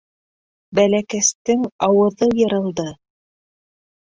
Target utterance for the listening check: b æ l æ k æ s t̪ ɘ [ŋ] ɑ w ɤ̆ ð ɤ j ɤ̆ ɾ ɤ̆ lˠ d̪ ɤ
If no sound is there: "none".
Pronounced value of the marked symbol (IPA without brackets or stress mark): ŋ